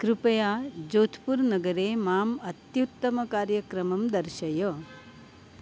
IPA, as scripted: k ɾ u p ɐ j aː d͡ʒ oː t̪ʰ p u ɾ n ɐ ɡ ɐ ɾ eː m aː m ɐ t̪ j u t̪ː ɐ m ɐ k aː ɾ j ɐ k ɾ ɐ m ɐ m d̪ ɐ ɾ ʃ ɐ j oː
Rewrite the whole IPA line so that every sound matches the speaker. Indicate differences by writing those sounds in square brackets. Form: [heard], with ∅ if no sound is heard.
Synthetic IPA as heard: k ɾ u p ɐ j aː d͡ʒ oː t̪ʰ p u ɾ n ɐ ɡ ɐ ɾ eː m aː m ɐ t̪ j u t̪ː ɐ m ɐ k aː ɾ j ɐ k ɾ ɐ m ɐ m d̪ ɐ ɾ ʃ ɐ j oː